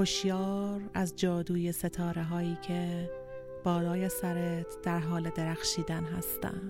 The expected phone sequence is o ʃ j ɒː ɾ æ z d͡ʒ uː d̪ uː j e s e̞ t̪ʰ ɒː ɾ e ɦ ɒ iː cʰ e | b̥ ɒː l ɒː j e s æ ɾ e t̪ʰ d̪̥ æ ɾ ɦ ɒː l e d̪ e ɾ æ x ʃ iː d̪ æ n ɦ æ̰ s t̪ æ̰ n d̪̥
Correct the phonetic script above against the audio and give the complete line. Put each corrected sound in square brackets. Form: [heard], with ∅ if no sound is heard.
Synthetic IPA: o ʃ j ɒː ɾ æ z d͡ʒ [ɒː] d̪ uː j e s e̞ t̪ʰ ɒː ɾ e ɦ [ɒː] iː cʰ e | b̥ ɒː l ɒː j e s æ ɾ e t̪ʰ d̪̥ æ ɾ ɦ ɒː l e d̪ e ɾ æ x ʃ iː d̪ æ n ɦ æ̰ s t̪ æ̰ n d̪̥